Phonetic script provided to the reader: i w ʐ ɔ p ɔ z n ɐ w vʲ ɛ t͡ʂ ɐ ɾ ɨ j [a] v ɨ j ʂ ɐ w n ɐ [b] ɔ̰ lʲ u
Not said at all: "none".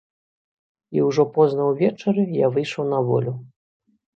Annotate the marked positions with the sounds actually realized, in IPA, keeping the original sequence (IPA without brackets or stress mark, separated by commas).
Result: a, v